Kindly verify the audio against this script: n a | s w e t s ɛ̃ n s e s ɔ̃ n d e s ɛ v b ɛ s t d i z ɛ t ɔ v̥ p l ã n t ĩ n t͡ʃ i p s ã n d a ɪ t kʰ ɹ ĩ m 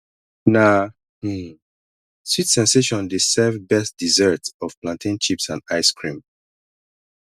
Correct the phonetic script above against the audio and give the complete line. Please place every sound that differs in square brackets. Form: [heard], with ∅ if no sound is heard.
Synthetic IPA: n a | s w [i] t s ɛ̃ n s e [ʃ] ɔ̃ n d e s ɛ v b ɛ s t d i z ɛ t ɔ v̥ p l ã n t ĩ n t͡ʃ i p s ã n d a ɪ [s] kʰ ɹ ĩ m